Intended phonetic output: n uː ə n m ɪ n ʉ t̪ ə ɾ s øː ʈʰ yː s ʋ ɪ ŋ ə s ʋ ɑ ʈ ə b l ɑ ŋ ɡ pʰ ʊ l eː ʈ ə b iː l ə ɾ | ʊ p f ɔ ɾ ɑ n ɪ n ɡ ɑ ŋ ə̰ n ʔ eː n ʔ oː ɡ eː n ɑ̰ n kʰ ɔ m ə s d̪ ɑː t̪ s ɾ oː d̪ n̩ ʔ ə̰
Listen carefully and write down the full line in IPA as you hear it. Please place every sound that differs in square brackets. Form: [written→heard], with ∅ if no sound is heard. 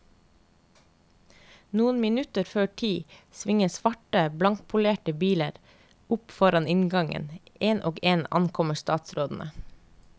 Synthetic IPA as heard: n uː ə n m ɪ n ʉ t̪ ə ɾ [s→f] øː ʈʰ [yː→iː] s ʋ ɪ ŋ ə s ʋ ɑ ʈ ə b l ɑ ŋ [ɡ→k] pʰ ʊ l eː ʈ ə b iː l ə ɾ | ʊ p f ɔ ɾ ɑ n ɪ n ɡ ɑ ŋ ə̰ n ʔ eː n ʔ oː ɡ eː n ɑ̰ n kʰ ɔ m ə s [d̪→t̪] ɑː t̪ s ɾ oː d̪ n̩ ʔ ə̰

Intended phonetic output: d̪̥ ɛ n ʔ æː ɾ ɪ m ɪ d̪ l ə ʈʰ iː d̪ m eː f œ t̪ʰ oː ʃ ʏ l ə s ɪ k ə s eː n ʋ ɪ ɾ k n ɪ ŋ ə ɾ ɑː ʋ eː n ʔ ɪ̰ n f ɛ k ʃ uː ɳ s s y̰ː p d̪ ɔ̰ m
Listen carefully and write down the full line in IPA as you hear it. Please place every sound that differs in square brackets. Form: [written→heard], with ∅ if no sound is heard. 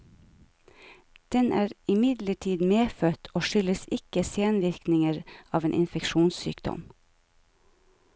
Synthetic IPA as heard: d̪̥ ɛ n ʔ æː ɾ ɪ m ɪ d̪ l ə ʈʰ iː d̪ m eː f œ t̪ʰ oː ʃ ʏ l ə s ɪ k ə s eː n ʋ ɪ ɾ k n ɪ ŋ ə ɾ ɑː ʋ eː n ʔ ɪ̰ n f ɛ k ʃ uː [ɳ→n] s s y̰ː [p→k] d̪ ɔ̰ m

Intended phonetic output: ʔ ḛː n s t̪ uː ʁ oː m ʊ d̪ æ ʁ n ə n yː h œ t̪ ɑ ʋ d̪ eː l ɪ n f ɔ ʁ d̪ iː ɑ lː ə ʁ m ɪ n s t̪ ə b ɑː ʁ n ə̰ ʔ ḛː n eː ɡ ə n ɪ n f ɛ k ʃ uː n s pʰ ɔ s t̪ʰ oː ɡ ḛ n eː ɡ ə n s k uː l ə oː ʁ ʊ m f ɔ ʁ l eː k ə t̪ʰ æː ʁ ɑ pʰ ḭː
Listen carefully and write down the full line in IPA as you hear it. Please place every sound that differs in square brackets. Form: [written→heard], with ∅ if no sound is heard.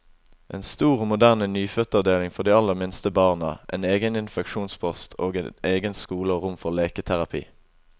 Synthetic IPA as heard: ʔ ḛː n s t̪ uː ʁ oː m ʊ d̪ æ ʁ n ə n yː [h→f] œ t̪ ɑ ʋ d̪ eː l ɪ [n→ŋ] f ɔ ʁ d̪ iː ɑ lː ə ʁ m ɪ n s t̪ ə b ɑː ʁ n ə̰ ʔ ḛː n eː ɡ ə n ɪ n f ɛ k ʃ uː n s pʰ ɔ s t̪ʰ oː ɡ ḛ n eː ɡ ə n s k uː l ə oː ʁ ʊ m f ɔ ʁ l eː k ə t̪ʰ [æː→æ] ʁ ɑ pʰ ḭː

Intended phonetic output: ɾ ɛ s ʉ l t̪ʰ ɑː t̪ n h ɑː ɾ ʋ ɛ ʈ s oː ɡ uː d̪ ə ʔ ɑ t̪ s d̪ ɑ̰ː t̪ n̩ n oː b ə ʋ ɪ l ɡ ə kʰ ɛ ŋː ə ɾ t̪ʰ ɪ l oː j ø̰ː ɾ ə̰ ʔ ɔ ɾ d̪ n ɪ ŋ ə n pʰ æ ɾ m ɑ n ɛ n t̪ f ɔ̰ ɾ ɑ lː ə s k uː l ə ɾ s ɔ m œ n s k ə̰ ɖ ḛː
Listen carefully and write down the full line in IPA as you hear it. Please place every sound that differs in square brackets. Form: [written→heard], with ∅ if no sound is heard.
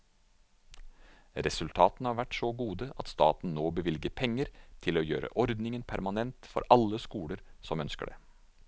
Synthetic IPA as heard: ɾ ɛ s ʉ l t̪ʰ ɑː t̪ n h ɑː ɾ ʋ [ɛ→æ] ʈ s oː ɡ uː d̪ ə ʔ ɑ t̪ s [d̪→t̪] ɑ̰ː t̪ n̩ n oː b ə ʋ ɪ l ɡ ə [kʰ→pʰ] ɛ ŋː ə ɾ t̪ʰ ɪ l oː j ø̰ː ɾ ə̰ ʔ ɔ ɾ d̪ n ɪ ŋ ə n pʰ æ ɾ m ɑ n ɛ n t̪ f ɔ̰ ɾ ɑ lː ə s k uː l ə ɾ s ɔ m œ n s k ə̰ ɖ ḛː

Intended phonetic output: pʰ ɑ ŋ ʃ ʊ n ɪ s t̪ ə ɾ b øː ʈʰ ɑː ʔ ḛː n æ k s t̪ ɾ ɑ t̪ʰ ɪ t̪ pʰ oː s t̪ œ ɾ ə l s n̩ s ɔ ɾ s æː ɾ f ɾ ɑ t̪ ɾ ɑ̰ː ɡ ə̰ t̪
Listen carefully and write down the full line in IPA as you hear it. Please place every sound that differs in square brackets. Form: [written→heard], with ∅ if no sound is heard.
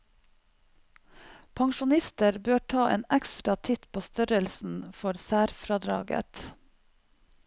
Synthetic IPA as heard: pʰ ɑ ŋ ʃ ʊ n ɪ s t̪ ə ɾ b øː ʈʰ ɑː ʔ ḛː n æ k s t̪ ɾ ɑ t̪ʰ ɪ t̪ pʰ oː s t̪ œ ɾ ə l s n̩ [s→f] ɔ ɾ s æː ɾ f ɾ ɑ [t̪→d̪] ɾ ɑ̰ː ɡ ə̰ t̪

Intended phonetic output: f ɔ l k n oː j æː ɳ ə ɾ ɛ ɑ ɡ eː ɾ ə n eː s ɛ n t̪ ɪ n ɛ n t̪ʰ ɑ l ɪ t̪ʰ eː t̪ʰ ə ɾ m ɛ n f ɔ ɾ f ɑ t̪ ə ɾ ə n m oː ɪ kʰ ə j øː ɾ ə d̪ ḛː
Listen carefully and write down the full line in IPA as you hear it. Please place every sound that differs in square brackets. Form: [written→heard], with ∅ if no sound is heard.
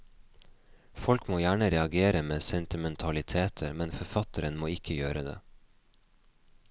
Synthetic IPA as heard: f ɔ l k [n→m] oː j æː ɳ ə ɾ ɛ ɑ ɡ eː ɾ ə [n→m] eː s ɛ n t̪ ɪ [n→m] ɛ n t̪ʰ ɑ l ɪ t̪ʰ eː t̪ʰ ə ɾ m ɛ n f ɔ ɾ f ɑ t̪ ə ɾ ə n m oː ɪ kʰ ə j øː ɾ ə d̪ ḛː

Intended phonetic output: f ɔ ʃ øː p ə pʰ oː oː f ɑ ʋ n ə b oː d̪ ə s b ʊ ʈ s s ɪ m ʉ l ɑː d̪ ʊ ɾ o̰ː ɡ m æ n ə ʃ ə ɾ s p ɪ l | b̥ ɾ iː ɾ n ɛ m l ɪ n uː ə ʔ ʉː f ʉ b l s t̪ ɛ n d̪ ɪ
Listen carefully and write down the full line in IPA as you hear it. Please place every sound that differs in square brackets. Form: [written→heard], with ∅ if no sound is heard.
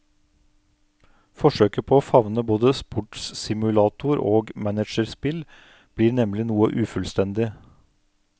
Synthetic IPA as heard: f ɔ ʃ øː [p→k] ə pʰ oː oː f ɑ ʋ n ə b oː d̪ ə s [b→p] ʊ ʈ s s ɪ m ʉ l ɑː [d̪→t̪] ʊ ɾ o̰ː ɡ m æ n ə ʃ ə ɾ s p ɪ l | b̥ [ɾ→l] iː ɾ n ɛ m l ɪ n uː ə ʔ ʉː f ʉ [b→∅] l s t̪ ɛ n d̪ ɪ

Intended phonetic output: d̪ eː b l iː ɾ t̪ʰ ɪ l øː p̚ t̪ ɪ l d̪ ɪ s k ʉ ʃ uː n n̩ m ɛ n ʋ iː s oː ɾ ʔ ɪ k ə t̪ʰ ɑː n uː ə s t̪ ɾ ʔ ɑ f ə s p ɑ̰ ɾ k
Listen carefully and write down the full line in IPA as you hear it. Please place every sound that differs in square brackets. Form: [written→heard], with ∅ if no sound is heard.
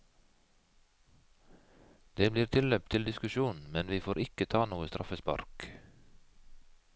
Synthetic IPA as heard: d̪ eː b l iː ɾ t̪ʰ ɪ l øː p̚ [t̪→t̪ʰ] ɪ l d̪ ɪ s k ʉ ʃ uː n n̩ m ɛ n ʋ iː [s→f] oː ɾ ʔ ɪ k ə t̪ʰ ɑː n uː ə s t̪ ɾ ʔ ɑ f ə s p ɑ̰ ɾ k

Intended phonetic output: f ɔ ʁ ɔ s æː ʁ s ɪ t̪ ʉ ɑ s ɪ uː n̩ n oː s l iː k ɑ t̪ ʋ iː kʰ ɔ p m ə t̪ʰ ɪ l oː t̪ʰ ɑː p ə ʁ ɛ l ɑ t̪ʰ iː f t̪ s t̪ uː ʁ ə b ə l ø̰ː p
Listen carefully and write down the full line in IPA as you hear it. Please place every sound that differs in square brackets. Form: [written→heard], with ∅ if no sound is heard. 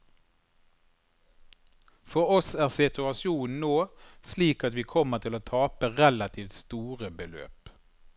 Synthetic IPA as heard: f ɔ ʁ ɔ s æː ʁ s ɪ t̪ ʉ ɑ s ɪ uː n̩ n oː s l iː k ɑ t̪ ʋ iː kʰ ɔ [p→∅] m ə t̪ʰ ɪ l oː t̪ʰ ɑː p ə ʁ ɛ l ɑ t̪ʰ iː f t̪ s t̪ uː ʁ ə b ə l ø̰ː p

